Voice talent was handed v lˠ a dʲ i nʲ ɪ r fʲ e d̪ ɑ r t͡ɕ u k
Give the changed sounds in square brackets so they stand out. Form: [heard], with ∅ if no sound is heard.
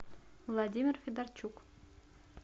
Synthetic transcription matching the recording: v lˠ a dʲ i [mʲ] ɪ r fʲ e d̪ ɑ r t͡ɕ u k